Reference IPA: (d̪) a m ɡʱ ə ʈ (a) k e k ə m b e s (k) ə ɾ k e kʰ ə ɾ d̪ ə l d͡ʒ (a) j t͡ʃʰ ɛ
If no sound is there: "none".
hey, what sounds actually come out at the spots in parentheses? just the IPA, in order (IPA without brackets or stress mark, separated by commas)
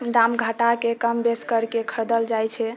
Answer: d̪, a, k, a